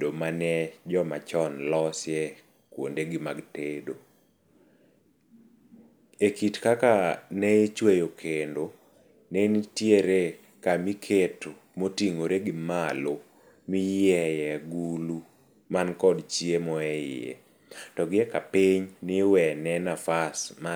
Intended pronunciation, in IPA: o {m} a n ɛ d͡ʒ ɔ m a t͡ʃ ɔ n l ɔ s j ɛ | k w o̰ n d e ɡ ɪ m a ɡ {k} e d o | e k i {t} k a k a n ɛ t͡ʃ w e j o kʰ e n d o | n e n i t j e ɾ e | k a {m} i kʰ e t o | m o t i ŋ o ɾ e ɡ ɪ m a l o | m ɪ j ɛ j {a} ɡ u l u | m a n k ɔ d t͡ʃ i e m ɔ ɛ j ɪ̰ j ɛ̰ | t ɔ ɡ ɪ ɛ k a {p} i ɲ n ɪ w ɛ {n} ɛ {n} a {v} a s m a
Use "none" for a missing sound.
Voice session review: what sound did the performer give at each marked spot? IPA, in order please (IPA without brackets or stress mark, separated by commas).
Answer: m, t, t, m, ɛ, p, n, n, f